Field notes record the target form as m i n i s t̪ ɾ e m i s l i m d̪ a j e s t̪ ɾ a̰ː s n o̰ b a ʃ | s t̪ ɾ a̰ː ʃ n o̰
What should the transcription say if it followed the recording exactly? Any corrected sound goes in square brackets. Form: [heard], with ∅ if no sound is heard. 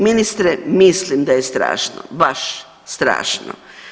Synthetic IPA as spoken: m i n i s t̪ ɾ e m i s l i m d̪ a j e s t̪ ɾ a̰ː [ʃ] n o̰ b a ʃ | s t̪ ɾ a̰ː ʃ n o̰